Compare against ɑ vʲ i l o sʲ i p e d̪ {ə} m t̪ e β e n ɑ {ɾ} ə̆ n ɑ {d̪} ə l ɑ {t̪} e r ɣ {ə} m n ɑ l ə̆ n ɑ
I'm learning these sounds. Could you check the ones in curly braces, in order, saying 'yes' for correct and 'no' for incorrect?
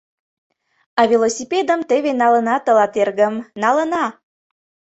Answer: yes, no, no, yes, yes

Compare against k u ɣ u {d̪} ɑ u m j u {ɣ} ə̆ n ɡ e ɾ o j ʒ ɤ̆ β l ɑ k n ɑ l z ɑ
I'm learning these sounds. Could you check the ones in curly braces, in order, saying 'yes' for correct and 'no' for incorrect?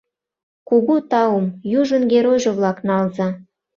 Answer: no, no

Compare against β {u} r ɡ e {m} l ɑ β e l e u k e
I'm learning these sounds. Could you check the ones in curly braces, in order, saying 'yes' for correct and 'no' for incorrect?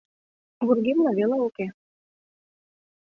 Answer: yes, yes

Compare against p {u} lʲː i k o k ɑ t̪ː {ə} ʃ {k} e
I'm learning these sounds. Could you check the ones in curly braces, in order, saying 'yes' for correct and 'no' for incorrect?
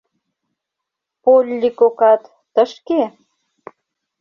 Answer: no, yes, yes

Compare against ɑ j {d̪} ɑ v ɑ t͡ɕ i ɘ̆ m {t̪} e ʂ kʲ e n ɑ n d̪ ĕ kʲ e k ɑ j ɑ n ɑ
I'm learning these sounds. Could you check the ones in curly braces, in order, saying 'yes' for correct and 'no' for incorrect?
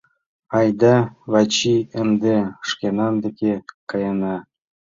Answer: yes, no

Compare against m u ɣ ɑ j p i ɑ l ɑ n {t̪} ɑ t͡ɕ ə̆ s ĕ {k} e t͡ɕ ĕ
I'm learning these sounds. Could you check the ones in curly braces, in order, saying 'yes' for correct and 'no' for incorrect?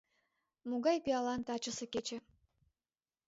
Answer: yes, yes

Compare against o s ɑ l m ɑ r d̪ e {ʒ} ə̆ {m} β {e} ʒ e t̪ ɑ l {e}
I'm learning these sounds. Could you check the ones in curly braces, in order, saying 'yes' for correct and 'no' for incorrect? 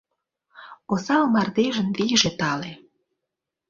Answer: yes, no, no, yes

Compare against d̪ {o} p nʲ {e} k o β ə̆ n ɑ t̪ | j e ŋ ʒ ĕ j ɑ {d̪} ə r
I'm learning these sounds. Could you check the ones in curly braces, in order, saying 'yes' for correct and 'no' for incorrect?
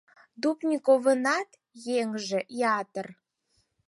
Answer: no, no, no

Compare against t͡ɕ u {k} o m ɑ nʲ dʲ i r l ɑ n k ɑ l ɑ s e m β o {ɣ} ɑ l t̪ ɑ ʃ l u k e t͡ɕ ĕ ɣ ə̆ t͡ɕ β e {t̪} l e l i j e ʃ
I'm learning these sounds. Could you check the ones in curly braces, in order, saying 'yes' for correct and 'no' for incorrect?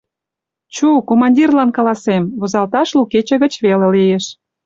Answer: yes, no, no

